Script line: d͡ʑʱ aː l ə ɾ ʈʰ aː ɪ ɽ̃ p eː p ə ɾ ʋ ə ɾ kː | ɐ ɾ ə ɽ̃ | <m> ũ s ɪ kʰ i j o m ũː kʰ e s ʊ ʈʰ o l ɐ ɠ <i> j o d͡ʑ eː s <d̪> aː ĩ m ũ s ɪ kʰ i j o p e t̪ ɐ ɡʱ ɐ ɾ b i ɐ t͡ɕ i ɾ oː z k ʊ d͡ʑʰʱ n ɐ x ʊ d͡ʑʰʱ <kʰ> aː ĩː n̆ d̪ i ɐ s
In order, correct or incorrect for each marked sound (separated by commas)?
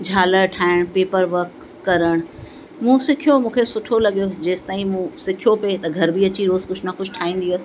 correct, correct, incorrect, incorrect